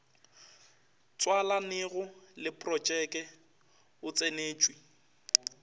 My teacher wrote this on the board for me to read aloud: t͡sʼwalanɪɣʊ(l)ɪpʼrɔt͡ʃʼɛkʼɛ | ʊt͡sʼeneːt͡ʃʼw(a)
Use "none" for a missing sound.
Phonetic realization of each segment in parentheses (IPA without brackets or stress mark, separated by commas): l, i